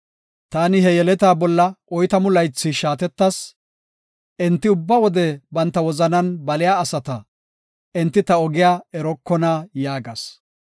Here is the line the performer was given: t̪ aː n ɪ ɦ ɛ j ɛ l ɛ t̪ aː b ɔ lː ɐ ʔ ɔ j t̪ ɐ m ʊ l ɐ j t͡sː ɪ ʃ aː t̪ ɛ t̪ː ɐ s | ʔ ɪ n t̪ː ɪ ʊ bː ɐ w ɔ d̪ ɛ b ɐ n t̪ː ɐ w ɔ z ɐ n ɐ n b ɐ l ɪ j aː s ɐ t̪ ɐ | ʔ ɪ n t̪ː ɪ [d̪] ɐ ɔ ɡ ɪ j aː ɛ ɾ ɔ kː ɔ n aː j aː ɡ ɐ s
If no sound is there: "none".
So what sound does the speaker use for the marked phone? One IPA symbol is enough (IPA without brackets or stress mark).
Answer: t̪